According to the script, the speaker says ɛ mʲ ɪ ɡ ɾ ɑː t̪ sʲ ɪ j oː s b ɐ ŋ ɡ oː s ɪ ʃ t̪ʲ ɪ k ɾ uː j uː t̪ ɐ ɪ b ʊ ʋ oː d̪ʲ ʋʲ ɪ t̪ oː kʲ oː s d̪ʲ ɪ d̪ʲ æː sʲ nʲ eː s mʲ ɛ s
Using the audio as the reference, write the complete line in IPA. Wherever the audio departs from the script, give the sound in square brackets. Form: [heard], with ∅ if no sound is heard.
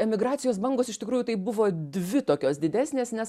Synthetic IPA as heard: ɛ mʲ ɪ ɡ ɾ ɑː t̪ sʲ ɪ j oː s b ɐ ŋ ɡ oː s ɪ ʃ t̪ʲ ɪ k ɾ uː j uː t̪ ɐ ɪ b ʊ ʋ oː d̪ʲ ʋʲ ɪ t̪ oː kʲ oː s d̪ʲ ɪ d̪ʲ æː sʲ nʲ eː s [nʲ] ɛ s